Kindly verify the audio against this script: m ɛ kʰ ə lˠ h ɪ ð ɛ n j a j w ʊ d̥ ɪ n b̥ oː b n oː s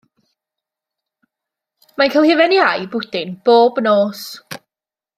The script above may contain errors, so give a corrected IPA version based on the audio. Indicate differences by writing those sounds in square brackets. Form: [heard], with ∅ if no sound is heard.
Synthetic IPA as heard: m [a] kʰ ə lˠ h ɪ [v] ɛ n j a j [b] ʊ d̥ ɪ n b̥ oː b n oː s